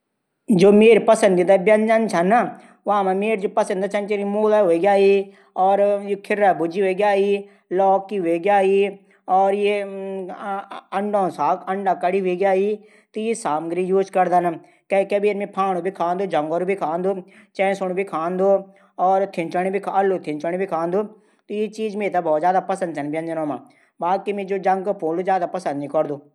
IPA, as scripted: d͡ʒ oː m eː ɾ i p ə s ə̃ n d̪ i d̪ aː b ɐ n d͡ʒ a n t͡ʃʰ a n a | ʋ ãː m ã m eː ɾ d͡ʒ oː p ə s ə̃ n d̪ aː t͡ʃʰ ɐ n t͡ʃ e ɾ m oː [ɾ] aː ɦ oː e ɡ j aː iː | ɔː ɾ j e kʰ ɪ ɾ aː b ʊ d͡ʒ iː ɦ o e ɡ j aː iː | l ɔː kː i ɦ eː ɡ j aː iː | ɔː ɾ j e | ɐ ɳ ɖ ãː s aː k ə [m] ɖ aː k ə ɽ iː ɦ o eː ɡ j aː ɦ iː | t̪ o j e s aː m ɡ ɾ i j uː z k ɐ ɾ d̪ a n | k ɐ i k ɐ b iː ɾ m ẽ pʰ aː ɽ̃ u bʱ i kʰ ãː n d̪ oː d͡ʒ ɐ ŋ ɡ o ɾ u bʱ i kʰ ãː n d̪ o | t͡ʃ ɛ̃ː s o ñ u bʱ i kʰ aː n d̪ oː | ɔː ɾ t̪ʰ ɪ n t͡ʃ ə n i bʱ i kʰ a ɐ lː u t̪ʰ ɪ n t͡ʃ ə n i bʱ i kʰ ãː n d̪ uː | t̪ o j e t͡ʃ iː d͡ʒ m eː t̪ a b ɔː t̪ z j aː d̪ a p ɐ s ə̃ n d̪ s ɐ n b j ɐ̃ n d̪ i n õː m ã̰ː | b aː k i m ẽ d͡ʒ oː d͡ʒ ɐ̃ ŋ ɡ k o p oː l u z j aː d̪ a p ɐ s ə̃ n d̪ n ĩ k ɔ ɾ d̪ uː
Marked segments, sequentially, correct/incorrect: incorrect: l, incorrect: ɳ

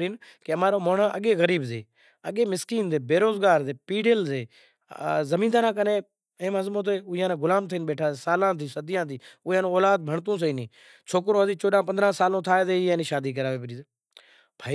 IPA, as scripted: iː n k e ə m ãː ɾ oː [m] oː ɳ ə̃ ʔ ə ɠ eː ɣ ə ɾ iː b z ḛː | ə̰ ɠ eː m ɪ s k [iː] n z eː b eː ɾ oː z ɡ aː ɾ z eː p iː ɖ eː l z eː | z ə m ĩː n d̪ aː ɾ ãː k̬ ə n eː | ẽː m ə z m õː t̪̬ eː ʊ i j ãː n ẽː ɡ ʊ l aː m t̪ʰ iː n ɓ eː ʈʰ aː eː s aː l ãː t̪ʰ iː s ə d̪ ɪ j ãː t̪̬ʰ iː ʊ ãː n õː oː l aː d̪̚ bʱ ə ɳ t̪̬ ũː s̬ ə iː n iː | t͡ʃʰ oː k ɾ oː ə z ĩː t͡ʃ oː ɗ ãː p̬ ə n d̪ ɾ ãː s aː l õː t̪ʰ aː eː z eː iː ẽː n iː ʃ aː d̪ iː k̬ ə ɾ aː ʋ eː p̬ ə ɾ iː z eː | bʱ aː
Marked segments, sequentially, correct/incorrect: correct, correct

